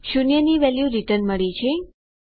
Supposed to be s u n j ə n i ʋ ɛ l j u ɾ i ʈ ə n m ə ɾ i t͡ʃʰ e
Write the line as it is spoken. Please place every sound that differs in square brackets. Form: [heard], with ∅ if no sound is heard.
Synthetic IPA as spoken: [ʃ] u n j ə n i ʋ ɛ l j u ɾ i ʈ ə n m ə [ɭ] i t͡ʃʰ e